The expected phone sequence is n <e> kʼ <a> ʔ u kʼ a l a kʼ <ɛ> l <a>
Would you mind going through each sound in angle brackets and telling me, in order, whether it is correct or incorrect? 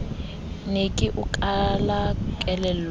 correct, incorrect: i, correct, incorrect: ɛ

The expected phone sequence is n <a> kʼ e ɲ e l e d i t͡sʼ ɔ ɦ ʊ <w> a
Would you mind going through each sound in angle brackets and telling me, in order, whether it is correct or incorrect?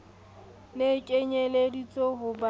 incorrect: e, incorrect: b

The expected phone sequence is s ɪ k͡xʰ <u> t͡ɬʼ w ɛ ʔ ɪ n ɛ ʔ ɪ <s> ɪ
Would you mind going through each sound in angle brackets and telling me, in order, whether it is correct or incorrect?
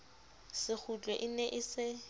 correct, correct

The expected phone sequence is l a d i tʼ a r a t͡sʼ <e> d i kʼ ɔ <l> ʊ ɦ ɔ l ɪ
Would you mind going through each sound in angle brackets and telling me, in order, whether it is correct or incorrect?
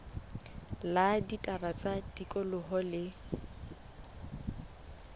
incorrect: a, correct

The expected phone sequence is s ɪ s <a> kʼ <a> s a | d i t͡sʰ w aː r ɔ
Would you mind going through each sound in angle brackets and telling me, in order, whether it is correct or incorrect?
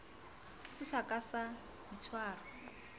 correct, correct

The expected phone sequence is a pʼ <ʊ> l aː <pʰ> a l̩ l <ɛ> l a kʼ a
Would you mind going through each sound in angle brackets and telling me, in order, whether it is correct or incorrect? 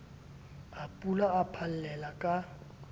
incorrect: u, correct, correct

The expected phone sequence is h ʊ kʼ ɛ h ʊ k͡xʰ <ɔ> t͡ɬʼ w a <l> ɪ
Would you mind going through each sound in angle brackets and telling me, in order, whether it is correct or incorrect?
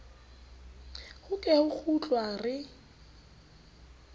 incorrect: u, incorrect: r

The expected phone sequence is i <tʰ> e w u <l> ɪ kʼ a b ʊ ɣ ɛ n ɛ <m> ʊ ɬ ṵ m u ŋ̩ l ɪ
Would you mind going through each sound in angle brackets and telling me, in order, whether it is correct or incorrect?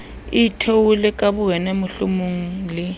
correct, correct, correct

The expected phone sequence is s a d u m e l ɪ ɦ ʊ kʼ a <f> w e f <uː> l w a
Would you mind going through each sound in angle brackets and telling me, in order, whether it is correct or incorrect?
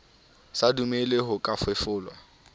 correct, incorrect: ʊː

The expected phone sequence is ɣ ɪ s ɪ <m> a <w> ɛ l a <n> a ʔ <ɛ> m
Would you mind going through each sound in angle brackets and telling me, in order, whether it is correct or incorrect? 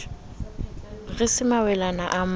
correct, correct, correct, incorrect: a

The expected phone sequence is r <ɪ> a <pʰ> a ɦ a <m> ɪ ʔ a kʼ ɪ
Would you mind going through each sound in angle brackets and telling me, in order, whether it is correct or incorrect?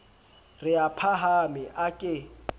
correct, correct, correct

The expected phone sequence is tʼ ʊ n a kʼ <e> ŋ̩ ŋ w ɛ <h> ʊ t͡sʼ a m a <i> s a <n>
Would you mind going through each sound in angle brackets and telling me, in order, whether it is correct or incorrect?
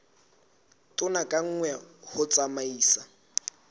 incorrect: a, correct, incorrect: iː, incorrect: none

